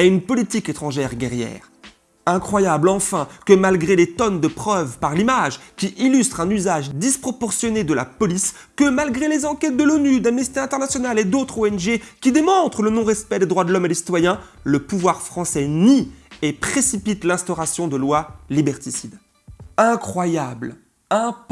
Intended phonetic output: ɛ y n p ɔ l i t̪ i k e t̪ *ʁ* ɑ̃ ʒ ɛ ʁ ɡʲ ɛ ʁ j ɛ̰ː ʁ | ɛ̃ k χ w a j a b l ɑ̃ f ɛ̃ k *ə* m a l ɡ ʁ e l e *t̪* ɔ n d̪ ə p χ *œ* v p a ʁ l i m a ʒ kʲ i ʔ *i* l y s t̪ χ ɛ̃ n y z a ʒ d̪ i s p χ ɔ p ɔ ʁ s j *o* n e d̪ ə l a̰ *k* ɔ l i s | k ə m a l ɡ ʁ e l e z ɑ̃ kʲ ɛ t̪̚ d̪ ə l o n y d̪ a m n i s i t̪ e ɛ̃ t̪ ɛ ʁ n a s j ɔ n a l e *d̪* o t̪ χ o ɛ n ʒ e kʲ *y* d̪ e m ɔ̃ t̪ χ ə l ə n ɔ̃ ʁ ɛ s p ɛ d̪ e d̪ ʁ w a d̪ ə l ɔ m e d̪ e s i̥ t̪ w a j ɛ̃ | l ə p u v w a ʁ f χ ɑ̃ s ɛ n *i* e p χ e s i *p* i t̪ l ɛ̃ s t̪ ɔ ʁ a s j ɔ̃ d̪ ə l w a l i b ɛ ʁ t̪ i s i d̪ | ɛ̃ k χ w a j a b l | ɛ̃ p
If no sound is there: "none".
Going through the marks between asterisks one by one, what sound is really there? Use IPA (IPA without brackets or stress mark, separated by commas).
χ, ə, t̪, œ, i, ɔ, p, d̪, i, i, p